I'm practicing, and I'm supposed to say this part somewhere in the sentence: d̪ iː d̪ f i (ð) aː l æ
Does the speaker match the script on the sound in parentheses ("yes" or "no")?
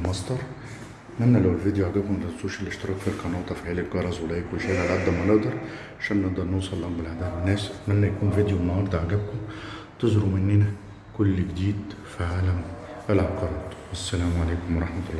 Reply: no